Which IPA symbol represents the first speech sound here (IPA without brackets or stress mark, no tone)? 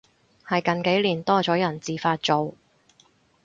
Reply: h